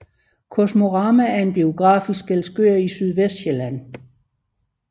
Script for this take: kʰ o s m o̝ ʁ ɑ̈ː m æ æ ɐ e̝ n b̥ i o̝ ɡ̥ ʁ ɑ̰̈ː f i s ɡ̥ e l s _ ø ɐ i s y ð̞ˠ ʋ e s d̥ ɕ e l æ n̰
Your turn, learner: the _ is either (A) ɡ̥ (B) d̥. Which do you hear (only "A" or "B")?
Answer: A